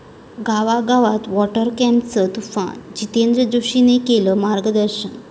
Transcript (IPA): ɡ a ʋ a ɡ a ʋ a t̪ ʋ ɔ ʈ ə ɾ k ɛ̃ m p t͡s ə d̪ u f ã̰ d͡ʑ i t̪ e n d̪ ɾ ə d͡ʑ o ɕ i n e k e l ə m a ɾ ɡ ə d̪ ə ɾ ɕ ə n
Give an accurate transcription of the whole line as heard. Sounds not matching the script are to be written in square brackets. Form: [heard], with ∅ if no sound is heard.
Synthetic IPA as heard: ɡ a ʋ a ɡ a ʋ a t̪ ʋ ɔ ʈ ə ɾ k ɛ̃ m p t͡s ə [t̪] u f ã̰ d͡ʑ i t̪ e n d̪ ɾ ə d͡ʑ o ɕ i n e k e l ə m a ɾ ɡ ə d̪ ə ɾ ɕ ə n